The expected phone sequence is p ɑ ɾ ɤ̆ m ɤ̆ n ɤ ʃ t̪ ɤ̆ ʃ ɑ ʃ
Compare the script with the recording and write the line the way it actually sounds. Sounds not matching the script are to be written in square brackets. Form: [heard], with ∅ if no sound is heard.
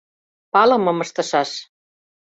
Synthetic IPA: p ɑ [l] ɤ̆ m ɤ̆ [m] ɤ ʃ t̪ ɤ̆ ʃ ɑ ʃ